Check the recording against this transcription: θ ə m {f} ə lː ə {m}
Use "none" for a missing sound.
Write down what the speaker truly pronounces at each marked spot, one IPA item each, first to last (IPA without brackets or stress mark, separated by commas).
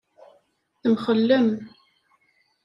χ, m